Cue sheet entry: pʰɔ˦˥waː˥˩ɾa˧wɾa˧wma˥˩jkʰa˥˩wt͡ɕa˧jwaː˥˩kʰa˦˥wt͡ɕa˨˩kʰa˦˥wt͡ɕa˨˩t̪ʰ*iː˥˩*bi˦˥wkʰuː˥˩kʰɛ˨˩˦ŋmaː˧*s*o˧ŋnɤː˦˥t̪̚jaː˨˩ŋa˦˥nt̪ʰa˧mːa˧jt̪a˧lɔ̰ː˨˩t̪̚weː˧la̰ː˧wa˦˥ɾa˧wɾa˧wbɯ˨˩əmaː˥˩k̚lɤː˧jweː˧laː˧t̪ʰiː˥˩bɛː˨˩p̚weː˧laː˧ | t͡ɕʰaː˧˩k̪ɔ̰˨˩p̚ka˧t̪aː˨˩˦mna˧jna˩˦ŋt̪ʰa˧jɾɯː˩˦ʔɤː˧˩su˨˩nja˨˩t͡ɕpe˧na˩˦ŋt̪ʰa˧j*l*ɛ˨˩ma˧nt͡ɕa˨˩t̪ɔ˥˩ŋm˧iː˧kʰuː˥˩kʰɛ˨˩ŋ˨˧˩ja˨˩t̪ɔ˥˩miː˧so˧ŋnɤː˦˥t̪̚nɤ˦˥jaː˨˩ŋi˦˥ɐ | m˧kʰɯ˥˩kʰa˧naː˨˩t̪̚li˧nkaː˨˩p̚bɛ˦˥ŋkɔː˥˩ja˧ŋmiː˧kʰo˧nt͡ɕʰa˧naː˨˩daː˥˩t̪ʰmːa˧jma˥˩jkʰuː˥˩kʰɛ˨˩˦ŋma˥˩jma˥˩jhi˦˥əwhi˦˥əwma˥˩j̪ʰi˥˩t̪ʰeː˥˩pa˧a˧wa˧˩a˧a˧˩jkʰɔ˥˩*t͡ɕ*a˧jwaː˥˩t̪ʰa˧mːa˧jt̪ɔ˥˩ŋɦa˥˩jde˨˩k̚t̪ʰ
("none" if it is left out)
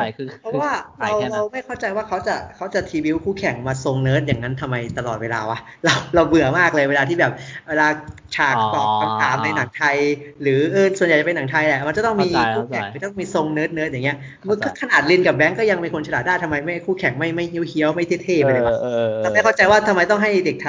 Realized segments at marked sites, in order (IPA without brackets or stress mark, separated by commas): iː˧, s, l, t͡ɕ